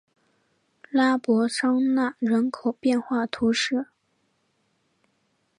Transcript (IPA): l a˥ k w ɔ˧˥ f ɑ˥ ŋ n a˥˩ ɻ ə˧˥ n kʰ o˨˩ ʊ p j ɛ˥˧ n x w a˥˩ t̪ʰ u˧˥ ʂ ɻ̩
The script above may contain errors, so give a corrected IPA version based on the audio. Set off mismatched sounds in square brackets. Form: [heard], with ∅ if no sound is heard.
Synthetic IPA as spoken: l a˥ [p] w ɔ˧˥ [ʂ] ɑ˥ ŋ n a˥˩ ɻ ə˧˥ n kʰ o˨˩ ʊ p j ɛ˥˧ n x w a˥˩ t̪ʰ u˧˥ ʂ ɻ̩